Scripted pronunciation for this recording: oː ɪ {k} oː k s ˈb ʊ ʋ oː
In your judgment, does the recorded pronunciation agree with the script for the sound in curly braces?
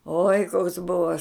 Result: yes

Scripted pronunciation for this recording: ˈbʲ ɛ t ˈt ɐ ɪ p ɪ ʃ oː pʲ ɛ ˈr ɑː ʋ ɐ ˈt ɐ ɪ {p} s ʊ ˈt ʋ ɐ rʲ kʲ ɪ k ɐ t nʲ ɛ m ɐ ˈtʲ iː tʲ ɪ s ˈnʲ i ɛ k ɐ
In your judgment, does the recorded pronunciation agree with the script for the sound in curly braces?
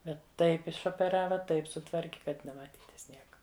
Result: yes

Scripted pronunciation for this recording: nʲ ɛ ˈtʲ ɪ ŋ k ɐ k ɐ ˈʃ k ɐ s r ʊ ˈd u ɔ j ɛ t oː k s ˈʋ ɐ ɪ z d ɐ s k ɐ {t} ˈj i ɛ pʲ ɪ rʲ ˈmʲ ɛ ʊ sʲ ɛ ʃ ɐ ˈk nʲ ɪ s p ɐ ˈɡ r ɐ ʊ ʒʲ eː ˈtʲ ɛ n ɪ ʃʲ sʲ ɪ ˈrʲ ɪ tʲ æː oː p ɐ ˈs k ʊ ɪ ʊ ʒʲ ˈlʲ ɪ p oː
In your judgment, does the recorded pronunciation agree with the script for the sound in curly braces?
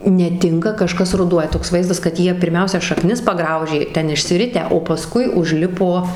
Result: yes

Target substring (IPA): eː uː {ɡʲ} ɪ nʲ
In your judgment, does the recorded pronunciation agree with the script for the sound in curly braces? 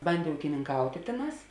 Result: no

